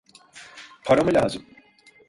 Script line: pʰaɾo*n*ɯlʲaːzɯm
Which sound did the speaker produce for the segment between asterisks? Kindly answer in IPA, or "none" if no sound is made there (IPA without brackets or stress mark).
m